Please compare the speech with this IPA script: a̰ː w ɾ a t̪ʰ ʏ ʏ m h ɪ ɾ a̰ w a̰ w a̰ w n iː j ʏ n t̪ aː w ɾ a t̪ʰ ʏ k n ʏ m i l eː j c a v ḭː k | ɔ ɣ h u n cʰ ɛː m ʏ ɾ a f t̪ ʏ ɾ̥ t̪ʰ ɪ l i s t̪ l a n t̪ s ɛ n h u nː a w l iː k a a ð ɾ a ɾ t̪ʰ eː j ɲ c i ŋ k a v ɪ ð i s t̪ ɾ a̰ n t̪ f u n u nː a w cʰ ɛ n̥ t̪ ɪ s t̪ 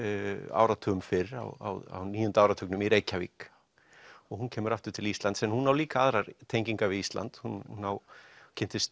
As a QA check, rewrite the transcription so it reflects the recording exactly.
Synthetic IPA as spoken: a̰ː w ɾ a t̪ʰ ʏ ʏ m f ɪ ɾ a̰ w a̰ w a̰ w n iː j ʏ n t̪ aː w ɾ a t̪ʰ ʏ k n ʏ m i ɾ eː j c a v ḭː k | ɔ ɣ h u n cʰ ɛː m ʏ ɾ a f t̪ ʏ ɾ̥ t̪ʰ ɪ l i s t̪ l a n t̪ s ɛ n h u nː a w l iː k a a ð ɾ a ɾ t̪ʰ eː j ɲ c i ŋ k a v ɪ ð i s t̪ l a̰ n t̪ h u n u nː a w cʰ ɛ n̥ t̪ ɪ s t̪